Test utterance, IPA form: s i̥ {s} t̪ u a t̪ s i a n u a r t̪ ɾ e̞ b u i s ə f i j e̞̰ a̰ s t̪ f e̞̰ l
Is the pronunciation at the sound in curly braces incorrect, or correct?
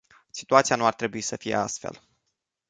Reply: incorrect: none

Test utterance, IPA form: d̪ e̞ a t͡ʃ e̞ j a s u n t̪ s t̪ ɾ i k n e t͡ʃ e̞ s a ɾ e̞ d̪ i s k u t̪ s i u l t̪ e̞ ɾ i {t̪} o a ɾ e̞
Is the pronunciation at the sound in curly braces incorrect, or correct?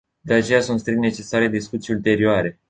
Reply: incorrect: none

